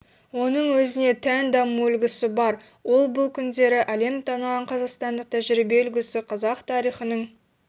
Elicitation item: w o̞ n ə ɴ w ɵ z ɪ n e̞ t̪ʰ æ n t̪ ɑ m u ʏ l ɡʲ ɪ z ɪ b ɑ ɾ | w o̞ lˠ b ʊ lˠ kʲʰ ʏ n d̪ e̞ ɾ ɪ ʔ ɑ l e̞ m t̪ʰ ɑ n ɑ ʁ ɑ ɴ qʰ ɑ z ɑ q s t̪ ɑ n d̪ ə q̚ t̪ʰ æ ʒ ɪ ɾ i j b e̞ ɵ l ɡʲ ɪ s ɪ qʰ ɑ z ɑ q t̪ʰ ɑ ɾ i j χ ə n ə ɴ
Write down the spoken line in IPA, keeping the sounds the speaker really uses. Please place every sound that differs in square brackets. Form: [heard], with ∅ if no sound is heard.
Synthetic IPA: w o̞ n ə ɴ w ɵ z ɪ n e̞ t̪ʰ æ n [d̪] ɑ m u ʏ l ɡʲ ɪ [s] ɪ b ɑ ɾ | w o̞ lˠ b ʊ lˠ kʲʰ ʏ n d̪ e̞ ɾ ɪ ʔ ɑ l e̞ m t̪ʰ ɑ n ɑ ʁ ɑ ɴ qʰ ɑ z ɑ q s t̪ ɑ n d̪ ə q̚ t̪ʰ æ ʒ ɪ ɾ i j b e̞ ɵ l ɡʲ ɪ s ɪ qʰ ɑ z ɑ q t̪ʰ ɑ ɾ i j χ ə n ə ɴ